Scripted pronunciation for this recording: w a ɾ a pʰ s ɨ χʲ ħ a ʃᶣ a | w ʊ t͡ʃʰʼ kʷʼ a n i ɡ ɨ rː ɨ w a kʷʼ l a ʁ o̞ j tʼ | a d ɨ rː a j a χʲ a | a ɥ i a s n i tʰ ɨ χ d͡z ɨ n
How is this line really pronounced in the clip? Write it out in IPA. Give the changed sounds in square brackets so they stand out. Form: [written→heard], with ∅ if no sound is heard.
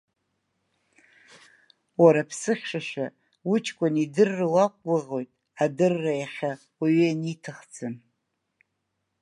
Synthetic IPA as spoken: w a ɾ a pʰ s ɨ χʲ [ħ→ʂ] a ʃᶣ a | w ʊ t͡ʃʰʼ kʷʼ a n i [ɡ→d] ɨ rː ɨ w a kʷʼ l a ʁ o̞ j tʼ | a d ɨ rː a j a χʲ a | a ɥ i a [s→∅] n i tʰ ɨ χ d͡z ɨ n